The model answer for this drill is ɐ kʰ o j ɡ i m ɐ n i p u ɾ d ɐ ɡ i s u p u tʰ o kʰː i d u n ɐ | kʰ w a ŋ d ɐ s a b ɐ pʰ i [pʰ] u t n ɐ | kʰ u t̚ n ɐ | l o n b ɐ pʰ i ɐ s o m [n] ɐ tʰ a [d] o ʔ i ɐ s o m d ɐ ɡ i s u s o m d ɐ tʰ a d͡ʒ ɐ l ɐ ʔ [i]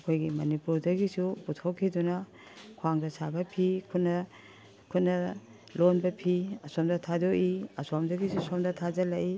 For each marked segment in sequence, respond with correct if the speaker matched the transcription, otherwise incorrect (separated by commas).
incorrect, incorrect, correct, correct